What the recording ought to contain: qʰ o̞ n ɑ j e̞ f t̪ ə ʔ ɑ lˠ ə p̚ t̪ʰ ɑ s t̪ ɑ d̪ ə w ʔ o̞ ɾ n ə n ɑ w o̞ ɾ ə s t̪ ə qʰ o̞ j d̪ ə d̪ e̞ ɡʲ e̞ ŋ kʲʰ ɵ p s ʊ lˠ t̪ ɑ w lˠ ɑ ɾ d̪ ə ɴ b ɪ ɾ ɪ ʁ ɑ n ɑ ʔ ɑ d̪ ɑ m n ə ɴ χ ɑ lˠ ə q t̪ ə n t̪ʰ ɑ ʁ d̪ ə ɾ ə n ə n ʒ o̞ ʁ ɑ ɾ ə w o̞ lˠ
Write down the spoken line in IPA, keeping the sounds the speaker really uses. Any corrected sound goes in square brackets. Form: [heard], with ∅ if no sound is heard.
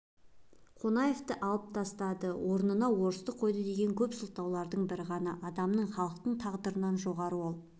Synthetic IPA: qʰ o̞ n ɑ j e̞ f t̪ ə ʔ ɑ lˠ ə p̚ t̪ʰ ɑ s t̪ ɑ d̪ ə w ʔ o̞ ɾ n ə n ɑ w o̞ ɾ ə s t̪ ə qʰ o̞ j d̪ ə d̪ e̞ ɡʲ e̞ ŋ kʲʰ ɵ p s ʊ lˠ t̪ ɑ w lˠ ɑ ɾ d̪ ə ɴ b ɪ ɾ ɪ ʁ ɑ n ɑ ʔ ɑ d̪ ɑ m n ə ɴ χ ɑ lˠ ə q t̪ ə [ɴ] t̪ʰ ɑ ʁ d̪ ə ɾ ə n [ɑ] n ʒ o̞ ʁ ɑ ɾ ə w o̞ lˠ